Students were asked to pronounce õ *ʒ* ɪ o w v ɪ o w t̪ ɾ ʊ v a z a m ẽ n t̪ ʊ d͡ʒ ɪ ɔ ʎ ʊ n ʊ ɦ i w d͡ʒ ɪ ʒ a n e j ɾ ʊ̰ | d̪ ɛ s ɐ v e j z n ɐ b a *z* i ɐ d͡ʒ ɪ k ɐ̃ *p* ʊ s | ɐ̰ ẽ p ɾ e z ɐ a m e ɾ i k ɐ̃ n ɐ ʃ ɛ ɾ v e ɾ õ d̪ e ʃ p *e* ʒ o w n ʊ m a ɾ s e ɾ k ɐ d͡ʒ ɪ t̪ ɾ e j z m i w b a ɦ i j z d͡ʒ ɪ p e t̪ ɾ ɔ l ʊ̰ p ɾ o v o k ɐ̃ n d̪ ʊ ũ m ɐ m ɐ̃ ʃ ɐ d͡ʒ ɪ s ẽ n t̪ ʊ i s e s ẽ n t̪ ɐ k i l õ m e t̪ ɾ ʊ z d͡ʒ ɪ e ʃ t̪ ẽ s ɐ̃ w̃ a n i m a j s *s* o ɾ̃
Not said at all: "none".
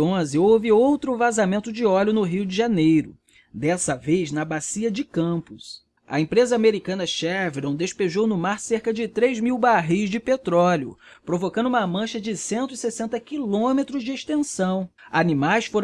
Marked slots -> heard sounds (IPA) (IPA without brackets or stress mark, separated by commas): z, s, p, e, f